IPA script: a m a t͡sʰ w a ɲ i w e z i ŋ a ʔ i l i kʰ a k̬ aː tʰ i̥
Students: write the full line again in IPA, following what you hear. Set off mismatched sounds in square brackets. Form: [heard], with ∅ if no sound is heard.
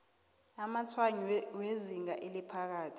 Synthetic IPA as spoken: a m a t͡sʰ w a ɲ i w e z i ŋ a ʔ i l i [pʰ] a k̬ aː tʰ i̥